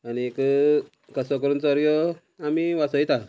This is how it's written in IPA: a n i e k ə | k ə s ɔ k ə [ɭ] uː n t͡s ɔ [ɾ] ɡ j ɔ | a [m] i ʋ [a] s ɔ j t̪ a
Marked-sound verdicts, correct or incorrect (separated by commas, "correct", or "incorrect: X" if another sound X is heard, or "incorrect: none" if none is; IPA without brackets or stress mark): incorrect: ɾ, correct, correct, correct